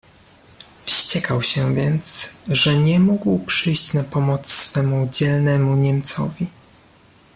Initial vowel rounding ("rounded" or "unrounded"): unrounded